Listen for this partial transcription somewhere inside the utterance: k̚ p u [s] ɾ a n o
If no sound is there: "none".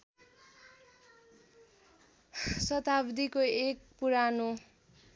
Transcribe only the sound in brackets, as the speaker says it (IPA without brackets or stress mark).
none